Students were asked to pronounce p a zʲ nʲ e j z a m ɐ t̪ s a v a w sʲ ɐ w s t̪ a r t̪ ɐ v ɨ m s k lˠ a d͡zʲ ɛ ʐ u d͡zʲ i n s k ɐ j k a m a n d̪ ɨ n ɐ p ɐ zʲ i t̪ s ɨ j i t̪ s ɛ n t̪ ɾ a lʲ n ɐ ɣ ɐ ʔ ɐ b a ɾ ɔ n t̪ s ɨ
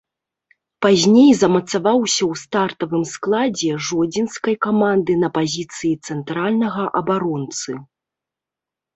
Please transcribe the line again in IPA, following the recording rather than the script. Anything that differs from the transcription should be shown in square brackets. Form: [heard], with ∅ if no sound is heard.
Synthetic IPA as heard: p a zʲ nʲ e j z [ɐ] m ɐ t̪ s a v a w sʲ ɐ w s t̪ a r t̪ ɐ v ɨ m s k lˠ a d͡zʲ ɛ ʐ [ɔ] d͡zʲ i n s k ɐ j k a m a n d̪ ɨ n ɐ p [a] zʲ i t̪ s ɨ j i t̪ s ɛ n t̪ ɾ a lʲ n ɐ ɣ ɐ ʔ ɐ b a ɾ ɔ n t̪ s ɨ